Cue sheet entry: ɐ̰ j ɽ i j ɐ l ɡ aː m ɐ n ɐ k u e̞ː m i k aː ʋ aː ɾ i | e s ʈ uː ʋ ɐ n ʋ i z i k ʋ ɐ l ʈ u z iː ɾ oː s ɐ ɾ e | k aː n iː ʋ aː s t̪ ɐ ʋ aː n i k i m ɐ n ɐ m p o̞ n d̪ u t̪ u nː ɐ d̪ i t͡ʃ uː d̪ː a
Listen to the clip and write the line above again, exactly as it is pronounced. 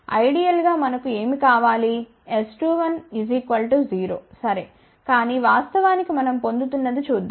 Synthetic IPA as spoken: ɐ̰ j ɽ i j ɐ l ɡ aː m ɐ n ɐ k u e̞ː m i k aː ʋ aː l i | e s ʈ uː ʋ ɐ n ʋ i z i k ʋ ɐ l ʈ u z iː ɾ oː s ɐ ɾ e | k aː n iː ʋ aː s t̪ ɐ ʋ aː n i k i m ɐ n ɐ m p o̞ n d̪ u t̪ u nː ɐ d̪ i t͡ʃ uː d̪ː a